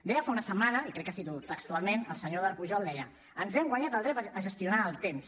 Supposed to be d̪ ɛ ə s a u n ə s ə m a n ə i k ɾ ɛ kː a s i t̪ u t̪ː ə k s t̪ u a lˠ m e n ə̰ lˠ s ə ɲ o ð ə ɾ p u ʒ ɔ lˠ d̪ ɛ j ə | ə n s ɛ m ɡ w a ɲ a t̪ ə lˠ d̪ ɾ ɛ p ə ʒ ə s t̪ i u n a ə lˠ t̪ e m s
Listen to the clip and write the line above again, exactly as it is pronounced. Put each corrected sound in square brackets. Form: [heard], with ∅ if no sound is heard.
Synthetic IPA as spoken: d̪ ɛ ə [f] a u n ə s ə m a n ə i k ɾ ɛ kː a s i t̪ u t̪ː ə k s t̪ u a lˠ m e n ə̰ lˠ s ə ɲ o ð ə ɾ p u ʒ ɔ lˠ d̪ ɛ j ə | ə n [z] ɛ m ɡ w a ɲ a t̪ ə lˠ d̪ ɾ ɛ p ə ʒ ə s t̪ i u n a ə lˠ t̪ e m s